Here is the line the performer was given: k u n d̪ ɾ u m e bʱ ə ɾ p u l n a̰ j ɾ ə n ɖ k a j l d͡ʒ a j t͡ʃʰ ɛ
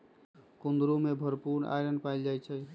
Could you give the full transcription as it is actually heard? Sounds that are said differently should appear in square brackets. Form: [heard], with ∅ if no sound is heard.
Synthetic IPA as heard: k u n d̪ ɾ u m e bʱ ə ɾ p u [ɾ] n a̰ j ɾ ə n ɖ [p] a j l d͡ʒ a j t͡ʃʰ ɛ